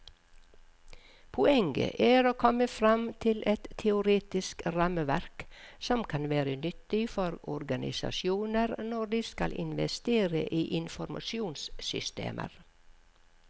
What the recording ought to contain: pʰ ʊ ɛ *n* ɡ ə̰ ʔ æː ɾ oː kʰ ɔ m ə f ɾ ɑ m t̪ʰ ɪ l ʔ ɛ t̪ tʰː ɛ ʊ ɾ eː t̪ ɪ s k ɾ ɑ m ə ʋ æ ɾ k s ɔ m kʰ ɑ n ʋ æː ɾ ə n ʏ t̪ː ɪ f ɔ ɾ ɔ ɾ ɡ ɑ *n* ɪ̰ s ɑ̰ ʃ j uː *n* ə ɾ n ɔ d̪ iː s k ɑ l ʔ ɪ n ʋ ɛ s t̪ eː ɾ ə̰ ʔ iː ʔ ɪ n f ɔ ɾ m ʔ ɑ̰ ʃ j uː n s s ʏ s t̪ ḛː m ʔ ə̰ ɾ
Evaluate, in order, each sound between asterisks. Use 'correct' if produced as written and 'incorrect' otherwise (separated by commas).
incorrect, correct, correct